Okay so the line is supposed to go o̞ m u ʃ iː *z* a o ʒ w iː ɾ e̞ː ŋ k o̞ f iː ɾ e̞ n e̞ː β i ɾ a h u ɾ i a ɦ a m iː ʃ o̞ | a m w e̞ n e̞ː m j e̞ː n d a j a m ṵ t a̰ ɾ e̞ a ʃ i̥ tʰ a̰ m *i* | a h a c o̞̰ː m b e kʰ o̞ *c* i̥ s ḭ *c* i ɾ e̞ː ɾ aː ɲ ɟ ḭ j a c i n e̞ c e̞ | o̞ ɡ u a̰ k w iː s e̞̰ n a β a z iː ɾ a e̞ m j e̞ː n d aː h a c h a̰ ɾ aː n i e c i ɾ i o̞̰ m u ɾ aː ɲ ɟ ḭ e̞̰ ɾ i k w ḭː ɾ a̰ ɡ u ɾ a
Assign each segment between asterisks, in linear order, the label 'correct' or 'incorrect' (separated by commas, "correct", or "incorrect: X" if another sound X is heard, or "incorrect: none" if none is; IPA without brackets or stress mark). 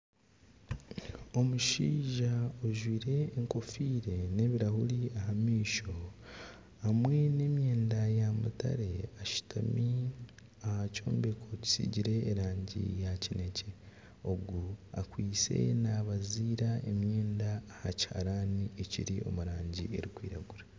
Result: incorrect: ʒ, correct, correct, incorrect: ɟ